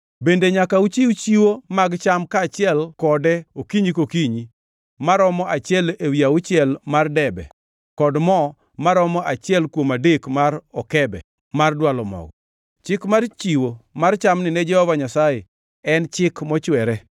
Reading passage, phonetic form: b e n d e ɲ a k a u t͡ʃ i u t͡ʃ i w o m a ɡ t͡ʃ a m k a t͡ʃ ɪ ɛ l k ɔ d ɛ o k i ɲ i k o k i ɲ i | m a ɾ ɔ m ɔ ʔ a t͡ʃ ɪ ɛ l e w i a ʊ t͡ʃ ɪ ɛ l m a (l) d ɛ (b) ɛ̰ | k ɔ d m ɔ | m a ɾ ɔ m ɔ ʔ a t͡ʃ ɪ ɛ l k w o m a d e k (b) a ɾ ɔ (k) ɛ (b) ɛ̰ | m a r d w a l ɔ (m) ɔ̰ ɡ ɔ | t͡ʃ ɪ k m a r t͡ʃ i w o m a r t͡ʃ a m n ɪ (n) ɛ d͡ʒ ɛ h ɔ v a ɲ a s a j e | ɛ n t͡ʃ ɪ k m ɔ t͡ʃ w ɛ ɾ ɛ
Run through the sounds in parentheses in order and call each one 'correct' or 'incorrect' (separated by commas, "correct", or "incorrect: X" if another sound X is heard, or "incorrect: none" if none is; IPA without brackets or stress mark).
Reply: incorrect: r, correct, incorrect: m, correct, correct, correct, correct